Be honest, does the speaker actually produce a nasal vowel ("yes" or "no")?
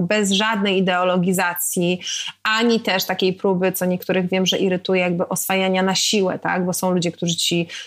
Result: yes